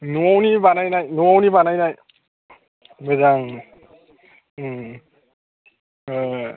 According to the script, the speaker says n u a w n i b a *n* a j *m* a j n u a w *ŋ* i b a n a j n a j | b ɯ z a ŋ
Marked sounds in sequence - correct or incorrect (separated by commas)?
correct, incorrect, incorrect